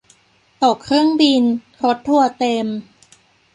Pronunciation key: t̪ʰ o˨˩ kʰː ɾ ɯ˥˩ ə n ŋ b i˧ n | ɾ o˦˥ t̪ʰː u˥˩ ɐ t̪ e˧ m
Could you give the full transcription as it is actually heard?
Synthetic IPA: t̪ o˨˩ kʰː ɾ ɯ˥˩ ə ŋ b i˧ n | ɾ o˦˥ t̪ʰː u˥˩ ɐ t̪ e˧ m

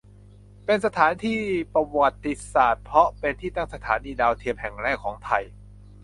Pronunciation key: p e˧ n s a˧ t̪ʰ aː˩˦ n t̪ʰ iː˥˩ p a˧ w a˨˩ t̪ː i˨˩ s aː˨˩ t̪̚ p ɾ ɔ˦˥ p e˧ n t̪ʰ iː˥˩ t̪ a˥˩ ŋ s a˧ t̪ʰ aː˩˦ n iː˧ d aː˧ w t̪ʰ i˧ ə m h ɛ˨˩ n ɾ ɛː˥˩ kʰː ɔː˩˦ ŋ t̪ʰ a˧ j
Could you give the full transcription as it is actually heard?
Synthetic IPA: p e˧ n s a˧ t̪ʰ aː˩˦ n t̪ʰ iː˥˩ p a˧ w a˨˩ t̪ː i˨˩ s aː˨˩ t̪̚ pʰ ɾ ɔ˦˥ p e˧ n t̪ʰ iː˥˩ t̪ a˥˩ ŋ s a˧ t̪ʰ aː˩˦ n iː˧ d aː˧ w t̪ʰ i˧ ə m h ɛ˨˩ ŋ ɾ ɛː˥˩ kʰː ɔː˩˦ ŋ t̪ʰ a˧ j

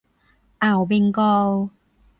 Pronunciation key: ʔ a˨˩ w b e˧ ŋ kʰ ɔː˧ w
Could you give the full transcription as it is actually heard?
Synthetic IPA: ʔ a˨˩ w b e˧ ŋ k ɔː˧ w

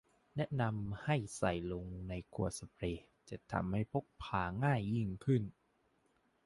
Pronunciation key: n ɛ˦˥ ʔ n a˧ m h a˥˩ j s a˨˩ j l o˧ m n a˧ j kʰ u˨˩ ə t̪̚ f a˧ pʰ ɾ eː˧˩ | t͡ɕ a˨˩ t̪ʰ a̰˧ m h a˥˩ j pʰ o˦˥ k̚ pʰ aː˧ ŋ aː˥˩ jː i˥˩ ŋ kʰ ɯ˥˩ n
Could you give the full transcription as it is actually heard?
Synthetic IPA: n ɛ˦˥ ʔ n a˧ m h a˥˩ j s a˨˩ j l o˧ ŋ n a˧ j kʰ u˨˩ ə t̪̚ s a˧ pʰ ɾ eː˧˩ | t͡ɕ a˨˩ t̪ʰ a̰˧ m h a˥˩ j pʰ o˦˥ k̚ pʰ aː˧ ŋ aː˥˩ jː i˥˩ ŋ kʰ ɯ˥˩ n

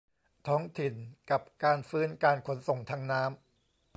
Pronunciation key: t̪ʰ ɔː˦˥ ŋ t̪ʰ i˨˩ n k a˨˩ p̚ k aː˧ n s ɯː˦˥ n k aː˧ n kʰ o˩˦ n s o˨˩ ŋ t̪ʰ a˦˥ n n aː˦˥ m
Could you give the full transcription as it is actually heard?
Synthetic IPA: t̪ʰ ɔː˦˥ ŋ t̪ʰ i˨˩ n k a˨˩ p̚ k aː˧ n f ɯː˦˥ n k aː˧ n kʰ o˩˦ n s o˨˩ ŋ t̪ʰ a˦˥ ŋ n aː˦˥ m

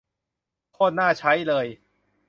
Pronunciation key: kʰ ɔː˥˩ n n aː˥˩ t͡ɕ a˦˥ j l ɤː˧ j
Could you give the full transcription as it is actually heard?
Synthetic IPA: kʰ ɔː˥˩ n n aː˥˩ t͡ɕʰ a˦˥ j l ɤː˧ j

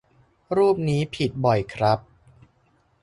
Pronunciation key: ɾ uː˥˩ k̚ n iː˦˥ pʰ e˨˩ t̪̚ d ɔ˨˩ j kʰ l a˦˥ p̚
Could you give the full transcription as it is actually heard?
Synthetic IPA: ɾ uː˥˩ p̚ n iː˦˥ pʰ i˨˩ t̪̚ b ɔ˨˩ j kʰ ɾ a˦˥ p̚

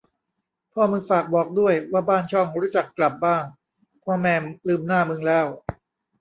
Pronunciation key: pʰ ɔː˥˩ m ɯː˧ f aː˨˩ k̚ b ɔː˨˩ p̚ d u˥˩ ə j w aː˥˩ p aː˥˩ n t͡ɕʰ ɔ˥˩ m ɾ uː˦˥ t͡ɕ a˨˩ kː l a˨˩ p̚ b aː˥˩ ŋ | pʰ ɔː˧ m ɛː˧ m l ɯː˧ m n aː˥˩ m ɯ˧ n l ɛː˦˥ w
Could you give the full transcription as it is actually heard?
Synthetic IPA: pʰ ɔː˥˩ m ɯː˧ f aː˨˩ k̚ b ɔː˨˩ k̚ d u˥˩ ə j w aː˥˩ b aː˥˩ n t͡ɕʰ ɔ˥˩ ŋ ɾ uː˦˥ t͡ɕ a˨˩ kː l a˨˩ p̚ b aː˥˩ ŋ | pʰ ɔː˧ m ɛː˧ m l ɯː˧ m n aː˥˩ m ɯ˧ ŋ l ɛː˦˥ w

